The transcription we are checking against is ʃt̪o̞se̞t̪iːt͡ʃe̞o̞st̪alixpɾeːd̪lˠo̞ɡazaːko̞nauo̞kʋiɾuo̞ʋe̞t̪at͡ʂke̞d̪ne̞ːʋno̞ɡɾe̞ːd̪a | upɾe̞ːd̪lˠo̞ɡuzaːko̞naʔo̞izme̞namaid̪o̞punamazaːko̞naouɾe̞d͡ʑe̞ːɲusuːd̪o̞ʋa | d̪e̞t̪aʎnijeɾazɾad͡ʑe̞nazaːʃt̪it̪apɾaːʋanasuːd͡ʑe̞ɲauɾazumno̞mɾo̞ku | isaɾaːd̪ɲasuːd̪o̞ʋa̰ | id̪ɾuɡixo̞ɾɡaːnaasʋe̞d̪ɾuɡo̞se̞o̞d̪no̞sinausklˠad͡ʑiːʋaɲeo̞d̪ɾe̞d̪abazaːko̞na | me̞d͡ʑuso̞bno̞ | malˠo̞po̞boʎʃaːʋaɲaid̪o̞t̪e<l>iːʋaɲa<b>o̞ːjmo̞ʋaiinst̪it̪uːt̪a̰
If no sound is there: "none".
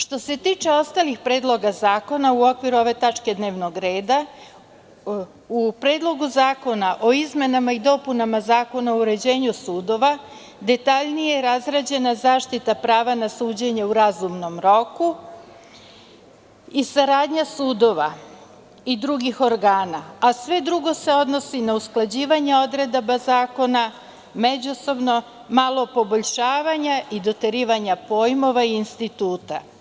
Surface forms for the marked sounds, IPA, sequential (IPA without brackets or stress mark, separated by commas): ɾ, p